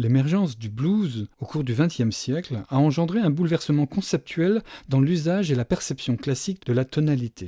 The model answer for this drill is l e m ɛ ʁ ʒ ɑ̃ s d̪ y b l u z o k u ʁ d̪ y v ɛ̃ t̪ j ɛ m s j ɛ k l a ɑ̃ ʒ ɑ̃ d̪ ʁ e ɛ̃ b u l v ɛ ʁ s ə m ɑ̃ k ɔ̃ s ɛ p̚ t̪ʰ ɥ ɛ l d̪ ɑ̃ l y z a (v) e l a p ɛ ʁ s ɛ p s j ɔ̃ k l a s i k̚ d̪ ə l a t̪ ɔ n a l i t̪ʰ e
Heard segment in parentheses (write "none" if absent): ʒ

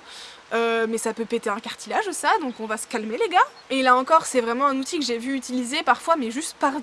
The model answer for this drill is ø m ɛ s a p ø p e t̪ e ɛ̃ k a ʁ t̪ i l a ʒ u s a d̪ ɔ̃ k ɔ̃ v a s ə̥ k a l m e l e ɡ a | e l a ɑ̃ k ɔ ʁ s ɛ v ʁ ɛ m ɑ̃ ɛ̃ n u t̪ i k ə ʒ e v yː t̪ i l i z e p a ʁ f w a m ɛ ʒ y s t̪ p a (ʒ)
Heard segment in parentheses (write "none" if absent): ʁ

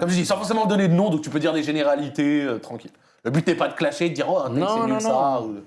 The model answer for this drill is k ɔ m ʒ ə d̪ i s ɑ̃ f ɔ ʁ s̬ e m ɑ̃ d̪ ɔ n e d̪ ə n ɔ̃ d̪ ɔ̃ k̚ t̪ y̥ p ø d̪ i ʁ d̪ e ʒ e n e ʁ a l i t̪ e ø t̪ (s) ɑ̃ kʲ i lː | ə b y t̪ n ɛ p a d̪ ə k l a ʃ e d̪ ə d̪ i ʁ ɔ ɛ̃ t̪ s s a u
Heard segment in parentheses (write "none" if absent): χ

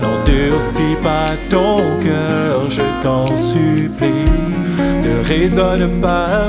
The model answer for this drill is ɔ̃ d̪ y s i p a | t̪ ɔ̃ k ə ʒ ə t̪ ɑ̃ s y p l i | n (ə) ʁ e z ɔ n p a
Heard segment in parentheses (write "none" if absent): ə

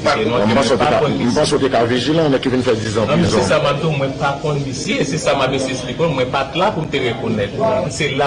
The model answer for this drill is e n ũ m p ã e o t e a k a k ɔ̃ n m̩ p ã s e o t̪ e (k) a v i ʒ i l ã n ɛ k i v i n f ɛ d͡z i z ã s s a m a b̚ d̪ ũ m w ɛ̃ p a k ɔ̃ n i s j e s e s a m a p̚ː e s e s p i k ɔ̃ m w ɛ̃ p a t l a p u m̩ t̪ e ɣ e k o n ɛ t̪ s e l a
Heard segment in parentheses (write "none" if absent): k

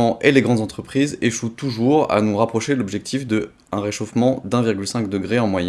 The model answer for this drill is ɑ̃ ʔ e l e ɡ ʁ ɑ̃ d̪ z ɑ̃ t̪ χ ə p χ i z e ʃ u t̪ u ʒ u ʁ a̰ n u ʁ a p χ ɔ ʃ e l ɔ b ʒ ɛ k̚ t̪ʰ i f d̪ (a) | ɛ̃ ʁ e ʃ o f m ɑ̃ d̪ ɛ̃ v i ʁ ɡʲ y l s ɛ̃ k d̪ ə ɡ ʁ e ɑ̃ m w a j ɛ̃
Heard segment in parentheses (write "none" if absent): ə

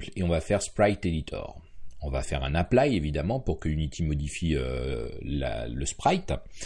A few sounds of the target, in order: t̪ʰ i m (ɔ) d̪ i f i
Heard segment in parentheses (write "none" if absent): ɔ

